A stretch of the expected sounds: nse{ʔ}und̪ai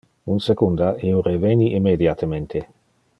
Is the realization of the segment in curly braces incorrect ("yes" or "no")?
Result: yes